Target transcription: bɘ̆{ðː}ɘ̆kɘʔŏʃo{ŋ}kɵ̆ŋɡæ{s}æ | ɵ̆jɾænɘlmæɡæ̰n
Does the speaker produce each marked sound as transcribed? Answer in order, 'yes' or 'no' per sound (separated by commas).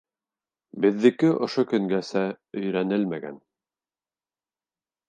yes, no, yes